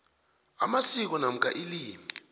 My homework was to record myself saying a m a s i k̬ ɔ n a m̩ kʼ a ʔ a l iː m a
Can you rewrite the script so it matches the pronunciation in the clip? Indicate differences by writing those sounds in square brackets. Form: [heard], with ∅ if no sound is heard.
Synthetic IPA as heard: a m a s i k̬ ɔ n a m̩ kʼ a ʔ [i] l iː m [i]